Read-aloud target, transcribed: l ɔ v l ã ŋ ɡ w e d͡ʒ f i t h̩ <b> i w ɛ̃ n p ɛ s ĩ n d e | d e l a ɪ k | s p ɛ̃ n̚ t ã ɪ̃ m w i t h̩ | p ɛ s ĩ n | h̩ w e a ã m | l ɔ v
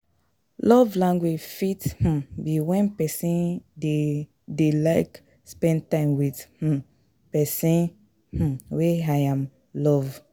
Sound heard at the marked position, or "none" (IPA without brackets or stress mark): b